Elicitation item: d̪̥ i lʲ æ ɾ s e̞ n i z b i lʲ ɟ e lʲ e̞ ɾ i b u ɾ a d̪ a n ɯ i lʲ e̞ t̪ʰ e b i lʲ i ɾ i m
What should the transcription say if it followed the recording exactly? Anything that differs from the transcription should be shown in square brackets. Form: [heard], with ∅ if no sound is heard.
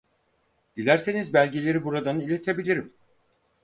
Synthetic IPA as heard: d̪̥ i lʲ æ ɾ s e̞ n i z b [æ] lʲ ɟ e lʲ e̞ ɾ i b u ɾ a d̪ a n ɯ i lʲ e̞ t̪ʰ e b i lʲ i ɾ i m